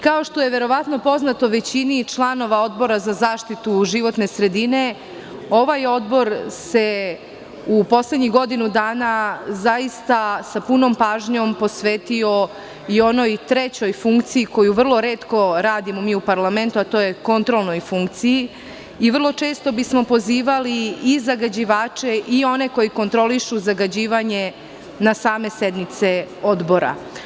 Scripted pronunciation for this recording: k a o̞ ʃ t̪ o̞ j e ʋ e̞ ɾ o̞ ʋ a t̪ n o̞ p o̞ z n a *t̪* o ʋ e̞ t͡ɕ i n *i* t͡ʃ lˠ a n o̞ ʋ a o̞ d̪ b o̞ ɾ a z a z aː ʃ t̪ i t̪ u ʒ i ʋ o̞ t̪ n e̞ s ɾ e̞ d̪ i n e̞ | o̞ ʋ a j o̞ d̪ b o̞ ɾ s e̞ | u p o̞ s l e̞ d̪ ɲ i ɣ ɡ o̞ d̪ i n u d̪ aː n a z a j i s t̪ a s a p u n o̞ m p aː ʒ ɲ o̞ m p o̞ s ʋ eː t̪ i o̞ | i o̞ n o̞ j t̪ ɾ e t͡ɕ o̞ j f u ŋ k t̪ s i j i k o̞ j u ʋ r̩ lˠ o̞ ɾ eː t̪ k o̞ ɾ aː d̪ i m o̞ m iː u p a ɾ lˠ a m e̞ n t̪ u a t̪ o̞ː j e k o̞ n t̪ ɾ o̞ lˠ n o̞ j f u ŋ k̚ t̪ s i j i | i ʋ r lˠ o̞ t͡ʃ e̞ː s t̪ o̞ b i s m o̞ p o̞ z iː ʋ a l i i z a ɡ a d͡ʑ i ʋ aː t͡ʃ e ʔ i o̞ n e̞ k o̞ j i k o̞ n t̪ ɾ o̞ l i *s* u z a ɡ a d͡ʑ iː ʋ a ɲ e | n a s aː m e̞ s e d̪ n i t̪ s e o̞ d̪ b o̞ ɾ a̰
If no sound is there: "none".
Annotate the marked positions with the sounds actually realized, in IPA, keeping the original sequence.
t̪, i, ʃ

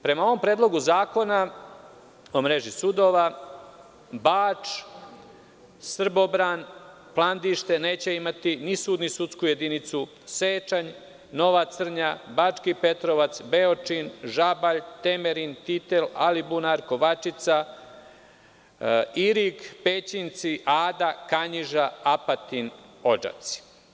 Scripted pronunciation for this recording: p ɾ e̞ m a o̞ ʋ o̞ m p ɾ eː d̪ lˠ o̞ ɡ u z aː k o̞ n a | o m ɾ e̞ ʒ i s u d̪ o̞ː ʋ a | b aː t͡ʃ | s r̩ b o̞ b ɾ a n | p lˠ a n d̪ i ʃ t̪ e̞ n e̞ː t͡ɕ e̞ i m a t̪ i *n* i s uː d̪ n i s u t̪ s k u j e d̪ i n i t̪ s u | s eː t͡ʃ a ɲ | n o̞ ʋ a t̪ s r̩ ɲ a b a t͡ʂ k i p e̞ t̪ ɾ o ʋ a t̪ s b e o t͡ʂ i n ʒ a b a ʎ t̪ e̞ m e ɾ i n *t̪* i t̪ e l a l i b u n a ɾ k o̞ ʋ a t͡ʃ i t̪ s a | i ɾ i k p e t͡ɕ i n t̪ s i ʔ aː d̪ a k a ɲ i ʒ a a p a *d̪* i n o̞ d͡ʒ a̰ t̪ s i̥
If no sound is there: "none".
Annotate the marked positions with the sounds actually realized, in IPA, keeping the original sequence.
n, t̪, t̪

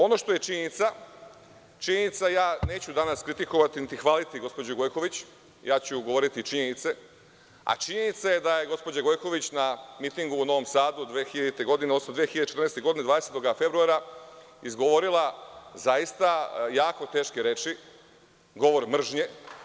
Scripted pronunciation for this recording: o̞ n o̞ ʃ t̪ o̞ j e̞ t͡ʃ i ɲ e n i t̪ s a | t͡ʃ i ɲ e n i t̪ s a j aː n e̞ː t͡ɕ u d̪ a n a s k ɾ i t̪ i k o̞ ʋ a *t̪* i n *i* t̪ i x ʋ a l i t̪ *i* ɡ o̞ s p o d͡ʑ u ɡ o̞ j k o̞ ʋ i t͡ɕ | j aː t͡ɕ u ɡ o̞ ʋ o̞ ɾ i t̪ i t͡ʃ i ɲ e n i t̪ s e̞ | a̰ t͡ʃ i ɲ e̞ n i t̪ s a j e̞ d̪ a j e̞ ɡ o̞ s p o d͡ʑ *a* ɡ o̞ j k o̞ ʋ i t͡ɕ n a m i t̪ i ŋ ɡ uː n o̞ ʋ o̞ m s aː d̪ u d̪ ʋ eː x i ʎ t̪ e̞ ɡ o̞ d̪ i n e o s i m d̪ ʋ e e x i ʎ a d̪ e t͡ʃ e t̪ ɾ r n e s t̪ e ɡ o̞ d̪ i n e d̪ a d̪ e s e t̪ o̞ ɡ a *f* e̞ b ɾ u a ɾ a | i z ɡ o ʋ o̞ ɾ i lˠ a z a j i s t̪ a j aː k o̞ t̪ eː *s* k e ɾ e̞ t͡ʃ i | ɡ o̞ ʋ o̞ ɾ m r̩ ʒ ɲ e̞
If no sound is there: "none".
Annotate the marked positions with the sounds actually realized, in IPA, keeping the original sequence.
t̪, i, i, a, f, ʃ

